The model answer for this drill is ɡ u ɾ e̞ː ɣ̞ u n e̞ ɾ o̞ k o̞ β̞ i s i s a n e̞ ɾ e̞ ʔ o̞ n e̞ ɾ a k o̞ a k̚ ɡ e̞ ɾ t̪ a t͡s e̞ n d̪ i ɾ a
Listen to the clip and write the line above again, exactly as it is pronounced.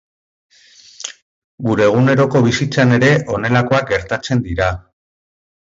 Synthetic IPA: ɡ u ɾ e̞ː ɣ̞ u n e̞ ɾ o̞ k o̞ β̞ i s i t͡s a n e̞ ɾ e̞ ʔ o̞ n e̞ l a k o̞ a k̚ ɡ e̞ ɾ t̪ a t͡s e̞ n d̪ i ɾ a